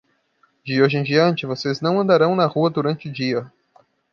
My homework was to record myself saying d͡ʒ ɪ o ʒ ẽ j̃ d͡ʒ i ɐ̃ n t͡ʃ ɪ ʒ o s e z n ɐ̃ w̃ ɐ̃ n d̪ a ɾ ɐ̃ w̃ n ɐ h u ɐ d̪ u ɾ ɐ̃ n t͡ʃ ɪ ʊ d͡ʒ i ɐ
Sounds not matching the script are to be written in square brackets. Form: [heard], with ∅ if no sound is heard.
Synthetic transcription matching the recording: d͡ʒ ɪ o ʒ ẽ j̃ d͡ʒ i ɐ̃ n t͡ʃ ɪ [v] o s e z n ɐ̃ w̃ ɐ̃ n d̪ a ɾ ɐ̃ w̃ n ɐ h u ɐ d̪ u ɾ ɐ̃ n t͡ʃ ɪ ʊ d͡ʒ i ɐ